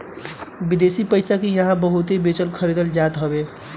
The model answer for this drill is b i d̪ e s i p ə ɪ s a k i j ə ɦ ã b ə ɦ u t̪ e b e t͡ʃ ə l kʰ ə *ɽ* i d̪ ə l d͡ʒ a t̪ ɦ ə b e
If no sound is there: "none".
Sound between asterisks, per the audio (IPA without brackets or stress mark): ɾ